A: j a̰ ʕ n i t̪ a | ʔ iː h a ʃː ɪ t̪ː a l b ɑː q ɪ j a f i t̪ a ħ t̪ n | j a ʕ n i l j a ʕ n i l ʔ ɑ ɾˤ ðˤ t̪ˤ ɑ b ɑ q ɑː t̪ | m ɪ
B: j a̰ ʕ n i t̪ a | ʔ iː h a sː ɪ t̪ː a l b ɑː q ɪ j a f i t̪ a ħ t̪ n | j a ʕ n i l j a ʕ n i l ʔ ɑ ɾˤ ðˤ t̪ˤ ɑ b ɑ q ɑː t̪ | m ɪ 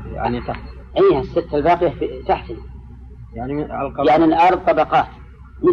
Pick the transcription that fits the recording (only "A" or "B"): B